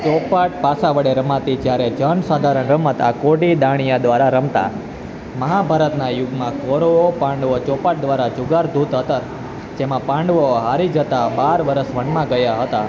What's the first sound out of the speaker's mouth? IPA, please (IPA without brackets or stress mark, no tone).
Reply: t͡ʃ